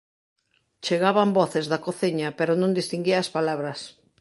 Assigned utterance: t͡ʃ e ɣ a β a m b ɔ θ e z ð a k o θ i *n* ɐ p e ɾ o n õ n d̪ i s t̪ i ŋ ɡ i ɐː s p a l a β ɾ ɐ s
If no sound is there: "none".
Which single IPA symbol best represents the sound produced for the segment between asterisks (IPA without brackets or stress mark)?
ɲ